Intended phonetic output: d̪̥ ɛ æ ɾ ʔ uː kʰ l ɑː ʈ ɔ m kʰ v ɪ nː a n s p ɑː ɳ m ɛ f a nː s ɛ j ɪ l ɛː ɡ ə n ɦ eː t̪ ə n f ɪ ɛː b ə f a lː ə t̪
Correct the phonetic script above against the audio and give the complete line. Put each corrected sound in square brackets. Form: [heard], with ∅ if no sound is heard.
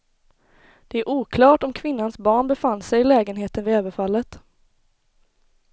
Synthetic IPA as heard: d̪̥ ɛ æ ɾ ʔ uː kʰ l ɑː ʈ ɔ m kʰ v ɪ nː a n s [b] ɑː ɳ [b] ɛ f a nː s ɛ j ɪ l ɛː ɡ ə n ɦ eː t̪ ə n [v] ɪ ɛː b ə f a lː ə t̪